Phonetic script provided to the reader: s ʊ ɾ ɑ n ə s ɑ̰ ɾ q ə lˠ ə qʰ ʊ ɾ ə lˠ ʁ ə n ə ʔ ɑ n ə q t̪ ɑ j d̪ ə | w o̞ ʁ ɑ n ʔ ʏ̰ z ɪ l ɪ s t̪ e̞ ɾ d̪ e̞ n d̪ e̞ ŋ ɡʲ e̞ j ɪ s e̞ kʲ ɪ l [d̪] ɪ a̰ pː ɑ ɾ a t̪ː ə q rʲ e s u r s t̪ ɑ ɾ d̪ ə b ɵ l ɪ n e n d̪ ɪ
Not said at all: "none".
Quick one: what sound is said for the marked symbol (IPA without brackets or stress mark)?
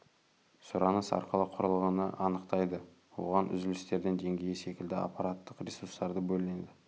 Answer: d̪